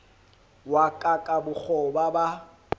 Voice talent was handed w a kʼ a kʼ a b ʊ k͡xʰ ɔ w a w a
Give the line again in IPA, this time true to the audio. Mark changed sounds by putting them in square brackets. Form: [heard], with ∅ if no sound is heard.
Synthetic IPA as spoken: w a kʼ a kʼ a b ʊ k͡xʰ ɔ [b] a [b] a